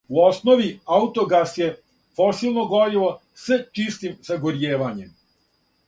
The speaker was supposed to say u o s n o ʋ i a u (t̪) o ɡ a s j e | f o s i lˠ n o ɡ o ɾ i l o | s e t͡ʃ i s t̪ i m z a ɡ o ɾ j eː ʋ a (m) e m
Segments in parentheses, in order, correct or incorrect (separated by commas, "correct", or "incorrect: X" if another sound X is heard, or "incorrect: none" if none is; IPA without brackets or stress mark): correct, incorrect: ɲ